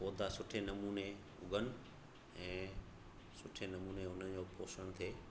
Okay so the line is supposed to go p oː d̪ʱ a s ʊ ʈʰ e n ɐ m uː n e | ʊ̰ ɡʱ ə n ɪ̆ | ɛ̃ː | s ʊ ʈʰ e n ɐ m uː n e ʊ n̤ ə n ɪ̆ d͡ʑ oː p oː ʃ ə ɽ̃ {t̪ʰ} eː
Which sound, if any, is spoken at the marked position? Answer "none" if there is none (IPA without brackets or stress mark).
t̪ʰ